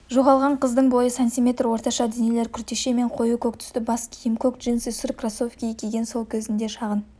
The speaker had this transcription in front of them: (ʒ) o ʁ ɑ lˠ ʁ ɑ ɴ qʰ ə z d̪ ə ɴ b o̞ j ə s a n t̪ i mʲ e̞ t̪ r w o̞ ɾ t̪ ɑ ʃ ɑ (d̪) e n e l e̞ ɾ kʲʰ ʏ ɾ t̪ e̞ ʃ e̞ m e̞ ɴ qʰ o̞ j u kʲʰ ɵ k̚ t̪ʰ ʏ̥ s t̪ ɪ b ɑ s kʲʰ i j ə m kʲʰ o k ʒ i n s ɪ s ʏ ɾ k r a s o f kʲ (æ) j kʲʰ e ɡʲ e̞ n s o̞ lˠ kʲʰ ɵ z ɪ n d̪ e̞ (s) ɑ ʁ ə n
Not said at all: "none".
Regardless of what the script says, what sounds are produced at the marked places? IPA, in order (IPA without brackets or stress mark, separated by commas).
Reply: ʒ, d̪, i, ʃ